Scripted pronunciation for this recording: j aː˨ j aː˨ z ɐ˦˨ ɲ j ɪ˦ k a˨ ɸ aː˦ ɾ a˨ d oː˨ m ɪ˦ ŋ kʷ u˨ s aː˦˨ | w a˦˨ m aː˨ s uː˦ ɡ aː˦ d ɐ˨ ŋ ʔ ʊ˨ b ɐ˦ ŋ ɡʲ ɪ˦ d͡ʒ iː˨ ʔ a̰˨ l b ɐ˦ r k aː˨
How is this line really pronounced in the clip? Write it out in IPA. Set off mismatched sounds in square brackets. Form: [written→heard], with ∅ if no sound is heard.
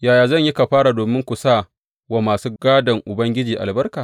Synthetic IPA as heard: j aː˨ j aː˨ z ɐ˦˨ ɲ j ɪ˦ k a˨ ɸ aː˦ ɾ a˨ d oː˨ m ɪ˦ ŋ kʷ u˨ s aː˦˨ | w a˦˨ m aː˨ s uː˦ ɡ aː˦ d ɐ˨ ŋ ʔ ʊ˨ b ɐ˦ ŋ ɡʲ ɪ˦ d͡ʒ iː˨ ʔ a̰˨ l b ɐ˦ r k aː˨